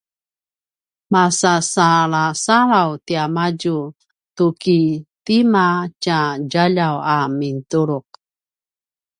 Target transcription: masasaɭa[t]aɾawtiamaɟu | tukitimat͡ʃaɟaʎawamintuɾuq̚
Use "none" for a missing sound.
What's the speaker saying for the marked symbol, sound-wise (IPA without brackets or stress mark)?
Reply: s